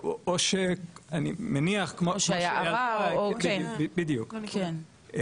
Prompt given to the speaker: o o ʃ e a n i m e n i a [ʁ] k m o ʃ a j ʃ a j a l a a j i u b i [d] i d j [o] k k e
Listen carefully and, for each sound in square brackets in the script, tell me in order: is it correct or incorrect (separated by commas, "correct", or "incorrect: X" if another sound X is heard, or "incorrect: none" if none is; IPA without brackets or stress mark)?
incorrect: χ, incorrect: b, incorrect: u